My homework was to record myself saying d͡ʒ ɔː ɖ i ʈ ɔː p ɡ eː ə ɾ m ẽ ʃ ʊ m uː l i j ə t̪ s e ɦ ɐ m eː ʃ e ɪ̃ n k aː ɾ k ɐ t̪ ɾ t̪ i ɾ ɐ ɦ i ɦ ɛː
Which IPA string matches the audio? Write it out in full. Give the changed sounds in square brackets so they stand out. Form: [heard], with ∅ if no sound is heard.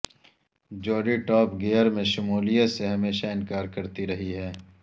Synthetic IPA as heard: d͡ʒ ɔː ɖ i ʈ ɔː p ɡ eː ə ɾ m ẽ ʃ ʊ m uː l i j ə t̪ s e ɦ ɐ m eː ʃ [a] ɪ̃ n k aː ɾ k ɐ [∅] ɾ t̪ i ɾ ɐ ɦ i ɦ ɛː